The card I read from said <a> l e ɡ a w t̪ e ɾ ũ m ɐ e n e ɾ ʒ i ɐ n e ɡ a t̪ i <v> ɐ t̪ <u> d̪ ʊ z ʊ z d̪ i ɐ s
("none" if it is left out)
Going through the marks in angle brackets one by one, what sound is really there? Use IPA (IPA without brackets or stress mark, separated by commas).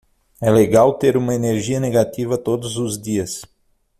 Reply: ɛ, v, o